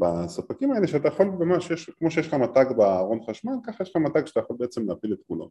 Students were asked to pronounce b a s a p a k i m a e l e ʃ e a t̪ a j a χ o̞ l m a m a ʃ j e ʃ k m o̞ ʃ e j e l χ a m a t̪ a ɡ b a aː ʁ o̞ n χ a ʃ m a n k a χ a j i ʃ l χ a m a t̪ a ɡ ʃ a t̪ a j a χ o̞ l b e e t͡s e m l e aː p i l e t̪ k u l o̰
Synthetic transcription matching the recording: b a s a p a k i m a e l e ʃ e a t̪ a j a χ o̞ l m a m a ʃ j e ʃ k m o̞ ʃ e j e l χ a m a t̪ a ɡ b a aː ʁ o̞ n χ a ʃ m a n k a χ a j e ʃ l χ a m a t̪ a ɡ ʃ a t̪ a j a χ o̞ l b e e t͡s e m l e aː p i l e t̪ k u l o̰